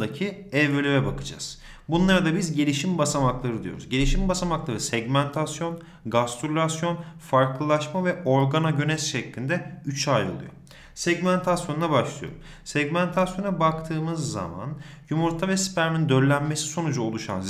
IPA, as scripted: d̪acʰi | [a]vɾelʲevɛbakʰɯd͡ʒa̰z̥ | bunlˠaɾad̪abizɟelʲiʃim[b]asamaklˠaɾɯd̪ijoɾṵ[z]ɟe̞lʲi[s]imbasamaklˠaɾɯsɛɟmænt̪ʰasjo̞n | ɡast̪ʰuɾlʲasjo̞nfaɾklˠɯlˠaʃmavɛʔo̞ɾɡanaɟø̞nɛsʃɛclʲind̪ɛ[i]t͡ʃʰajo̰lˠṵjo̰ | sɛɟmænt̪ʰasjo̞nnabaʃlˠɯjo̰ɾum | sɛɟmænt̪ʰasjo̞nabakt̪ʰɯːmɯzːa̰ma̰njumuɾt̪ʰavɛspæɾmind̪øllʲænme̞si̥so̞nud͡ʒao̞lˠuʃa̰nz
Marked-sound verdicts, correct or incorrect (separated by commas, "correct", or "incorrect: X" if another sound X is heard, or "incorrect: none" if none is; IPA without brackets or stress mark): incorrect: ɛ, correct, correct, incorrect: ʃ, incorrect: y